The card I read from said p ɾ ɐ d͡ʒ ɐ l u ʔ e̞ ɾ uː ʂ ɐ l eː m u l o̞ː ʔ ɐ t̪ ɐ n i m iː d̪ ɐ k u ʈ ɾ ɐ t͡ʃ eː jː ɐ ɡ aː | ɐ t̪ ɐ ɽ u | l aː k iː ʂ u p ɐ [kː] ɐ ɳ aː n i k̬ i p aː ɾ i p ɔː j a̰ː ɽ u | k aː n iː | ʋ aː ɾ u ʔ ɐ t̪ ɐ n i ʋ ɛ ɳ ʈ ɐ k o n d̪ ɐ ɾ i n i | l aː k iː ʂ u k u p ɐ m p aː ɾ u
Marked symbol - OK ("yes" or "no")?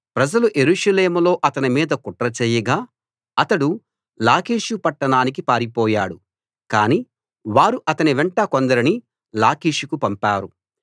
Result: no